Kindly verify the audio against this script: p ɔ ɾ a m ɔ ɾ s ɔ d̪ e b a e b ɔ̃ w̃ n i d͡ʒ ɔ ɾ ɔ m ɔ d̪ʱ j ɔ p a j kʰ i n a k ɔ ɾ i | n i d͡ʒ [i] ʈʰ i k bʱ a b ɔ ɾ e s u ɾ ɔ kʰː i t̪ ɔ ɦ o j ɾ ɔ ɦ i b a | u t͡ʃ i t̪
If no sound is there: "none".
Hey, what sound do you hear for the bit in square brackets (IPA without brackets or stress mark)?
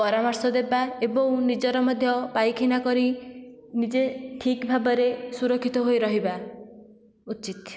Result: e